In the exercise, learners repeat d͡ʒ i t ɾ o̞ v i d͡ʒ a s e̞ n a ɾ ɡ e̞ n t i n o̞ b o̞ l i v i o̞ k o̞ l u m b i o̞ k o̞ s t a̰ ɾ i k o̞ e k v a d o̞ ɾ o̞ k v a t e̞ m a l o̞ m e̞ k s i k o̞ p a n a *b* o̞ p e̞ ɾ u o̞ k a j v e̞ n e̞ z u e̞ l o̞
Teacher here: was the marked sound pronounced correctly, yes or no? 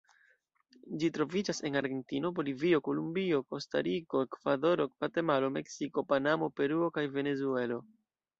no